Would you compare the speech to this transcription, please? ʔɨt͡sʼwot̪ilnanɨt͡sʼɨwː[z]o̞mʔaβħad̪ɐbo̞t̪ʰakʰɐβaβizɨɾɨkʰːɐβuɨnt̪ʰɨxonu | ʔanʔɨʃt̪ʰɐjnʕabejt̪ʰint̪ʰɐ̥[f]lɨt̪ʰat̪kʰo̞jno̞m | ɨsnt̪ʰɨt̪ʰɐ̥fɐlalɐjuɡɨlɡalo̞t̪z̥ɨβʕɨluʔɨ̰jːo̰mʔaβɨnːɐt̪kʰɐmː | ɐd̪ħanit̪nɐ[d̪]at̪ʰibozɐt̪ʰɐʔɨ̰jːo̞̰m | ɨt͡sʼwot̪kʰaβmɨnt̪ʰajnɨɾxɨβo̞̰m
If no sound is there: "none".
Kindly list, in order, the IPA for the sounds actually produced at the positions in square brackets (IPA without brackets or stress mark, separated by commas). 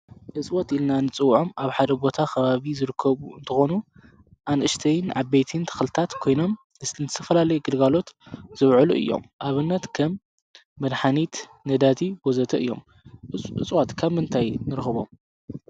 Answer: ʕ, x, d̪